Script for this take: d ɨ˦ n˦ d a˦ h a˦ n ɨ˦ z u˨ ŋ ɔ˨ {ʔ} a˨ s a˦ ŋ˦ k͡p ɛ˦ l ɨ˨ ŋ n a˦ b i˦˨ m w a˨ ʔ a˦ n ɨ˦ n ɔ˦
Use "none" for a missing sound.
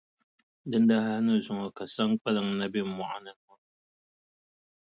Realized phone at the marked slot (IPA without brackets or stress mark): k